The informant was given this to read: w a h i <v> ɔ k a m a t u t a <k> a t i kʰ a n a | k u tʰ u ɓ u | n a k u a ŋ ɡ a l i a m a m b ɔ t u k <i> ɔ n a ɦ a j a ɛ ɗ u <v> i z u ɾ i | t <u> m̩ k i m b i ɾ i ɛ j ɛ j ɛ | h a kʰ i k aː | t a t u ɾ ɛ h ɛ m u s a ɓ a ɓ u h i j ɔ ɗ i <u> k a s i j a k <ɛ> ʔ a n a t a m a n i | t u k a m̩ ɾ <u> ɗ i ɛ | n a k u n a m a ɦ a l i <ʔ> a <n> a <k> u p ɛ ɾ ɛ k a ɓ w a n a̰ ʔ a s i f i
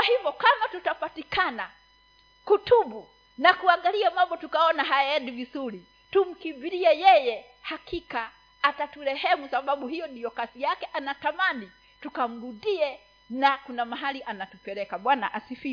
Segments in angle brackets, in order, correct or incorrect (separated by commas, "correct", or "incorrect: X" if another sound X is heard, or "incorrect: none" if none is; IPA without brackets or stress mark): correct, incorrect: p, incorrect: a, correct, correct, incorrect: ɔ, correct, correct, correct, correct, incorrect: t